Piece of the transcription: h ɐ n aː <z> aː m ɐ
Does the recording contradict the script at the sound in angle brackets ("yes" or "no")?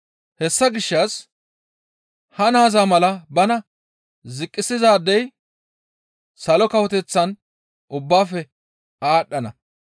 no